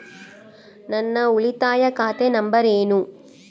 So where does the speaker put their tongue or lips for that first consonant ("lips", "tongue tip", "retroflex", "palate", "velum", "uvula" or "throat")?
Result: tongue tip